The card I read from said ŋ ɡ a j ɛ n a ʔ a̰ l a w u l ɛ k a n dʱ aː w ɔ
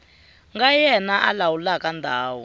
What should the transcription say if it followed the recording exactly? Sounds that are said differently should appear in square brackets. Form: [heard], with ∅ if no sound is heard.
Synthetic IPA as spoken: ŋ ɡ a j ɛ n a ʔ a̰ l a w u l [a] k a n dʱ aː w ɔ